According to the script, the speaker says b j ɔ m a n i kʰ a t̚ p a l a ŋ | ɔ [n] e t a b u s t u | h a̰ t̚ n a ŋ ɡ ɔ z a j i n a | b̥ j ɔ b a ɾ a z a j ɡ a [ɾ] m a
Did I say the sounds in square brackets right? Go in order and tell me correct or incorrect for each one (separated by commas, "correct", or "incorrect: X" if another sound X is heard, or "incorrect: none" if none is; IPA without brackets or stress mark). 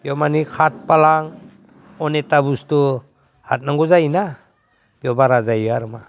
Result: correct, correct